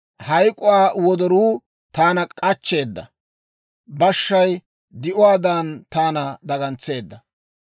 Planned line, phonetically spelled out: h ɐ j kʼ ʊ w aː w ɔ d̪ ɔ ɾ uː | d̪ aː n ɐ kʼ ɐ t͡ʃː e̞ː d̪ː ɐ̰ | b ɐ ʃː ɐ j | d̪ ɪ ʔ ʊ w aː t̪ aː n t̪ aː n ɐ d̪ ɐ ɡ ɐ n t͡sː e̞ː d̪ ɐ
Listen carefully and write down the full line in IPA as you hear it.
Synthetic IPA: h ɐ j kʼ ʊ w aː w ɔ d̪ ɔ ɾ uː | t̪ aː n ɐ kʼ ɐ t͡ʃː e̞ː d̪ː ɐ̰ | b ɐ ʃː ɐ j | d̪ ɪ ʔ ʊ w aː d̪ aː n t̪ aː n ɐ d̪ ɐ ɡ ɐ n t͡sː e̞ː d̪ː ɐ